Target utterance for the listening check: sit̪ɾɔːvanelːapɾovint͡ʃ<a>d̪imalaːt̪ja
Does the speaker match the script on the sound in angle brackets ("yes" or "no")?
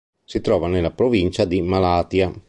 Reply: yes